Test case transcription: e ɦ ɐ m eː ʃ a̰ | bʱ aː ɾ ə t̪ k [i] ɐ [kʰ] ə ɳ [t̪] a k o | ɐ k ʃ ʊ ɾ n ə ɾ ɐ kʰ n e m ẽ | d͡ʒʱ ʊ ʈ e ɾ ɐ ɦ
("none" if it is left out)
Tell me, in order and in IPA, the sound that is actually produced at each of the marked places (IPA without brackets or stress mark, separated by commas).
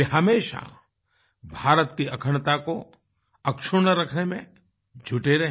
i, kʰ, t̪